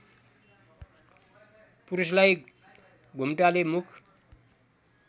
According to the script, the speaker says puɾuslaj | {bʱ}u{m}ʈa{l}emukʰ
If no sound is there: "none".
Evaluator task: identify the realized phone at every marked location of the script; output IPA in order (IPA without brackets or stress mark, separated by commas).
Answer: ɡʱ, m, l